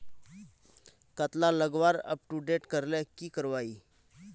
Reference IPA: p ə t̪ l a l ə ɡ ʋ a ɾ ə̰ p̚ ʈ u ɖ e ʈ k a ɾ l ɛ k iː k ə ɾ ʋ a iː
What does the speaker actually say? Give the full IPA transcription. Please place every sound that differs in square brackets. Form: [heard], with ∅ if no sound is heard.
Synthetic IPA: [k] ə t̪ l a l ə ɡ ʋ a ɾ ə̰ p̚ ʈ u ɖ e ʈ k [ə] ɾ l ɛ k iː k ə ɾ ʋ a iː